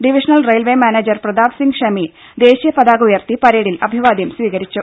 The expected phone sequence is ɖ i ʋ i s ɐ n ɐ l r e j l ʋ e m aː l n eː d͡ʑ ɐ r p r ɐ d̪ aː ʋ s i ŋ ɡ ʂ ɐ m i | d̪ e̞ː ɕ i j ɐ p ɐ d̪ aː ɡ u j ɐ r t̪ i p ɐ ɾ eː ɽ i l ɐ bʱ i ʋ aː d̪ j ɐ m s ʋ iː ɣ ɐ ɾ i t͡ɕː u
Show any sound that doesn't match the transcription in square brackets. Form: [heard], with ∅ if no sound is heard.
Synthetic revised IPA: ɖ i ʋ i [ʂ] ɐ n ɐ l r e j l ʋ e m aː [∅] n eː d͡ʑ ɐ r p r ɐ d̪ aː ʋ s i ŋ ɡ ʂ ɐ m i | d̪ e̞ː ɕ i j ɐ p ɐ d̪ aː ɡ u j ɐ r t̪ i p ɐ ɾ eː ɽ i l ɐ bʱ i ʋ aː d̪ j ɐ m s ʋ iː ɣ ɐ ɾ i t͡ɕː u